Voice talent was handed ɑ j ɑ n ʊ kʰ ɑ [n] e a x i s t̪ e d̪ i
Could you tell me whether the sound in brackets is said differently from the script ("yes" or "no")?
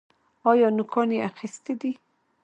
no